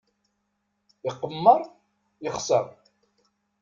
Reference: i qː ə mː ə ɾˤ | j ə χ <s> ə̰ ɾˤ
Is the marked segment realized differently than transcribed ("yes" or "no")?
no